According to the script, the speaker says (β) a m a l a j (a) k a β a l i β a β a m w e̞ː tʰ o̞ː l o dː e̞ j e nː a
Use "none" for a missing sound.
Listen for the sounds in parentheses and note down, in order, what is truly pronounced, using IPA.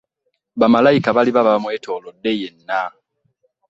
β, i

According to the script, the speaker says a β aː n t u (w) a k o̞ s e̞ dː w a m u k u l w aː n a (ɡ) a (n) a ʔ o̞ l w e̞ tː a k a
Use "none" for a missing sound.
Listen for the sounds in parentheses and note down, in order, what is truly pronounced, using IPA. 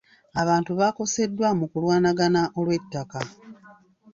β, ɡ, n

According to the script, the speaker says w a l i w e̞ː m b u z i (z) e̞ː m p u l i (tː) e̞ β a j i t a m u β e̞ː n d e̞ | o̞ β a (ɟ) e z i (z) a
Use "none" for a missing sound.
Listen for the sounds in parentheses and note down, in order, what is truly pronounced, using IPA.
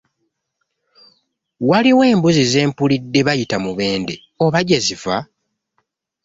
z, dː, ɟ, v

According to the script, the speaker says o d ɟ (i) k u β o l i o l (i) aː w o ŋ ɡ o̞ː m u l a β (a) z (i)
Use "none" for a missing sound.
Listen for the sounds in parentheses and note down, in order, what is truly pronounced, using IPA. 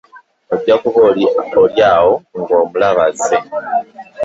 a, j, a, e

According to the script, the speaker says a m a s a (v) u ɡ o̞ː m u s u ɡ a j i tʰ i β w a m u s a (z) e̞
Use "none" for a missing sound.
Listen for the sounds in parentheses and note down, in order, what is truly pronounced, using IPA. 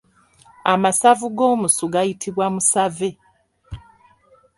v, v

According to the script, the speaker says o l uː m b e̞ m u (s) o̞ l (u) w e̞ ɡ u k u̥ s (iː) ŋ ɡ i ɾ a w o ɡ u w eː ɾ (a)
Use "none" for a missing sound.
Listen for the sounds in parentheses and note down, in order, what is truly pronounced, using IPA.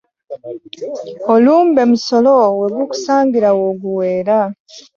s, o, aː, a

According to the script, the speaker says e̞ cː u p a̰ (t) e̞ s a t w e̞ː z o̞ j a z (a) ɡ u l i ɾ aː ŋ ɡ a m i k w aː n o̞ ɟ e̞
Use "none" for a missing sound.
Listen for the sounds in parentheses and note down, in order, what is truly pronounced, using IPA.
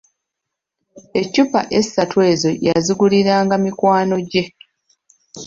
ʔ, i

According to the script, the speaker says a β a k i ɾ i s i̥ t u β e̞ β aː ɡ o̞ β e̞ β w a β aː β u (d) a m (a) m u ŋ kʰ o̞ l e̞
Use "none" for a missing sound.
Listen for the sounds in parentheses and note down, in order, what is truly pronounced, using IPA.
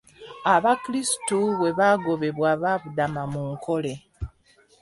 d, a

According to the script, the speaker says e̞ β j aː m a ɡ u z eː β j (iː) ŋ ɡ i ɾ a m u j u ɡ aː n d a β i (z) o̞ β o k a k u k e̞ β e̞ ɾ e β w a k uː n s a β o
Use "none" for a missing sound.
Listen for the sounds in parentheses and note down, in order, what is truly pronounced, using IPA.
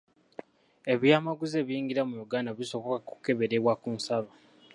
iː, s

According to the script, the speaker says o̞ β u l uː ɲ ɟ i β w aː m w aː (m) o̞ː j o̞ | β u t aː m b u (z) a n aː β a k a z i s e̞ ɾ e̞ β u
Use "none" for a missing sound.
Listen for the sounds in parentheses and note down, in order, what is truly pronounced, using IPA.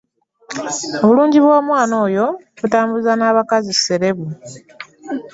n, z

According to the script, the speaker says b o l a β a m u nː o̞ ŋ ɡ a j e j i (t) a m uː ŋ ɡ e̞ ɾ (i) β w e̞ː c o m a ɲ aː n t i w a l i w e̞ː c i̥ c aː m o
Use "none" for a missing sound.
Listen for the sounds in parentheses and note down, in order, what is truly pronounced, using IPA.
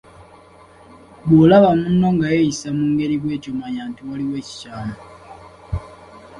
s, i

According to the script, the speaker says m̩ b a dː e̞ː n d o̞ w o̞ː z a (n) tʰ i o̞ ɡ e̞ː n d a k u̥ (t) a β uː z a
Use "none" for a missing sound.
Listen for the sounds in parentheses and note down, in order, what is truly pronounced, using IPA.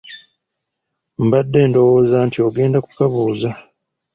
n, k

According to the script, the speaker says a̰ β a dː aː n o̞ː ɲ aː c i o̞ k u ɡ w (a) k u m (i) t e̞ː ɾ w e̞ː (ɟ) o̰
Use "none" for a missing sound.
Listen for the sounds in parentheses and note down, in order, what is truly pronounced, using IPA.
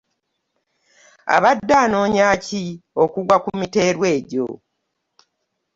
a, i, ɟ

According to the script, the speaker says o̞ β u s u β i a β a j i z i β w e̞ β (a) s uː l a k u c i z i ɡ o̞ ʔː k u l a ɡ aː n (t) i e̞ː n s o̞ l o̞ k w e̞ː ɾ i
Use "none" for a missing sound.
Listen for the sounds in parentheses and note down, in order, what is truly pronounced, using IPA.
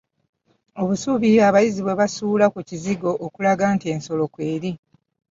a, t

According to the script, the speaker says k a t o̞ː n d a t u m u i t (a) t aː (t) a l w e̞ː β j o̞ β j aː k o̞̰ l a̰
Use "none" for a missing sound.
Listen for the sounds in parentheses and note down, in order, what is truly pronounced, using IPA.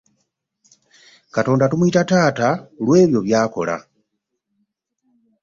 a, t

